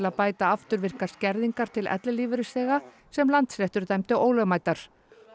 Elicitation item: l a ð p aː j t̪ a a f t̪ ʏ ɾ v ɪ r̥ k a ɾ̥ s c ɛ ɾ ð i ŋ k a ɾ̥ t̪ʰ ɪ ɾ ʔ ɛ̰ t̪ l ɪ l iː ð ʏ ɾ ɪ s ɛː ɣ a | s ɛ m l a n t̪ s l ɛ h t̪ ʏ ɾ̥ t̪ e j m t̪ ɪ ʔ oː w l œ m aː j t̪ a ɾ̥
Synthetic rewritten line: l a ð p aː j t̪ a a f t̪ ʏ ɾ v ɪ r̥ k a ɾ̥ s c ɛ ɾ ð i ŋ k a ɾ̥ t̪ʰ ɪ l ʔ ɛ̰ t̪ l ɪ l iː v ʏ ɾ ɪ s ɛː ɣ a | s ɛ m l a n t̪ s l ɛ h t̪ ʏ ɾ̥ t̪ a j m t̪ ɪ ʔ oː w l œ m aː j t̪ a ɾ̥